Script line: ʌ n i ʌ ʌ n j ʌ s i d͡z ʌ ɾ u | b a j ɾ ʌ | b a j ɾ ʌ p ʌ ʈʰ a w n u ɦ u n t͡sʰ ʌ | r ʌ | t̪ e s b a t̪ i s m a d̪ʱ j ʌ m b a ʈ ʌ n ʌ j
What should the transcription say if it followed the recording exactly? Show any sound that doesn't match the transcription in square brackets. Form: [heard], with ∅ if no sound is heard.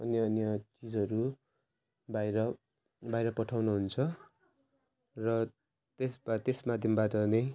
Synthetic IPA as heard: ʌ n [j] ʌ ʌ n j ʌ [t͡s] i d͡z ʌ ɾ u | b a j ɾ ʌ | b a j ɾ ʌ p ʌ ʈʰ a w n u ɦ u n t͡sʰ ʌ | r ʌ | t̪ e s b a t̪ [e] s m a d̪ʱ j ʌ m b a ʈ ʌ n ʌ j